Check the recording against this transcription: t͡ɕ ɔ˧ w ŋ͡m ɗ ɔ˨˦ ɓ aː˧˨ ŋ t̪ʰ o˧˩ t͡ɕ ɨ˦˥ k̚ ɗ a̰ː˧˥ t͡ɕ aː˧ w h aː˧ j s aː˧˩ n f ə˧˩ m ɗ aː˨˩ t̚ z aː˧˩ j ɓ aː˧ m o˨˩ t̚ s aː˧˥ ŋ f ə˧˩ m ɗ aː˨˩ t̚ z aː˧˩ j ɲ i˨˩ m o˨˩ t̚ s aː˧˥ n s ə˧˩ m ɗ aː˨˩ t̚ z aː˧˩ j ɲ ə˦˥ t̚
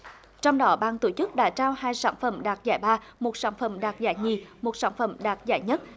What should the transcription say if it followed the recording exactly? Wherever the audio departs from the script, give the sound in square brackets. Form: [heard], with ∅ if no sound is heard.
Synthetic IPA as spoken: t͡ɕ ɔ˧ w ŋ͡m ɗ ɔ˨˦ ɓ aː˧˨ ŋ [t̪] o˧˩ t͡ɕ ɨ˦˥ k̚ ɗ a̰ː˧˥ t͡ɕ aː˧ w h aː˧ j s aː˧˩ n f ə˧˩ m ɗ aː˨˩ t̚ z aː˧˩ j ɓ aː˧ m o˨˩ t̚ s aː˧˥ [n] f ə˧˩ m ɗ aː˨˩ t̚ z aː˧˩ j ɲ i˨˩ m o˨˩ t̚ s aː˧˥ n [f] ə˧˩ m ɗ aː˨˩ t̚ z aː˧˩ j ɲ ə˦˥ t̚